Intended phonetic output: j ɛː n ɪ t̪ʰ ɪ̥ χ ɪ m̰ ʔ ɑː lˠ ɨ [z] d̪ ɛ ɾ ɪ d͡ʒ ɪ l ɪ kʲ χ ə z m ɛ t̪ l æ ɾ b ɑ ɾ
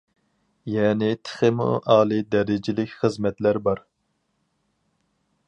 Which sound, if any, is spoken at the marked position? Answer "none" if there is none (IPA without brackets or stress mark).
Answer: none